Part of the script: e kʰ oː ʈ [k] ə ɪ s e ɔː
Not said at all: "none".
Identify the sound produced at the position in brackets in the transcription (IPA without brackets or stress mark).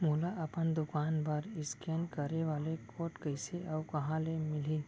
k